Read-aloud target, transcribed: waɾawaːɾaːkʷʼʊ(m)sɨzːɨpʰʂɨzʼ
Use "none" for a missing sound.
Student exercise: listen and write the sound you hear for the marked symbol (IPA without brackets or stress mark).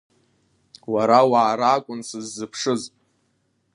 n